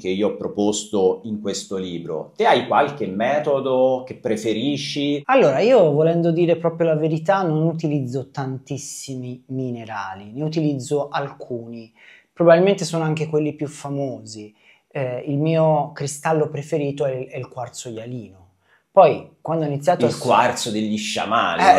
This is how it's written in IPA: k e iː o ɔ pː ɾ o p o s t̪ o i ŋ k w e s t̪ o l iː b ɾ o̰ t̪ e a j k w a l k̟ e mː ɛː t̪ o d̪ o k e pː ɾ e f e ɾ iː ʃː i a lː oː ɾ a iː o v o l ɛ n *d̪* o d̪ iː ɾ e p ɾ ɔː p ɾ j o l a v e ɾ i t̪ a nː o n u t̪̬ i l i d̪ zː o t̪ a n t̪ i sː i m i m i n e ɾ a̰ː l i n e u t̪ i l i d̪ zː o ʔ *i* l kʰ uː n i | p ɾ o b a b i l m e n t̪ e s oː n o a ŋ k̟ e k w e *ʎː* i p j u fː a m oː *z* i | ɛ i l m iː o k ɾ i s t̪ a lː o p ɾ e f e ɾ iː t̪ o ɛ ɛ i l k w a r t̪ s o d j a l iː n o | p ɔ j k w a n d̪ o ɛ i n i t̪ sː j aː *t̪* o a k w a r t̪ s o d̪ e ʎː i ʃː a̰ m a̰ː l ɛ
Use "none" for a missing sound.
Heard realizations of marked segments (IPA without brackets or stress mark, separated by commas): d̪, a, lː, z, t̪